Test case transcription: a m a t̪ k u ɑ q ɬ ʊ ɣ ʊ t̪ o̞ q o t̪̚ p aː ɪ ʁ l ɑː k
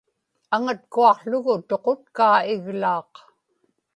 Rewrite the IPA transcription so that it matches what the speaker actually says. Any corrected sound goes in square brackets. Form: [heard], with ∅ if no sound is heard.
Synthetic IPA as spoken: a [ŋ] a t̪ k u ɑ q ɬ ʊ ɣ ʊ t̪ o̞ q o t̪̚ [k] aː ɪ [ɣ] l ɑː [q]